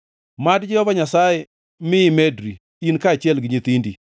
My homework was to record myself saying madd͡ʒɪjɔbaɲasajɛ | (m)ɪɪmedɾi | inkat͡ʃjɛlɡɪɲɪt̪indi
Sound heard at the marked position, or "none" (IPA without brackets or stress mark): m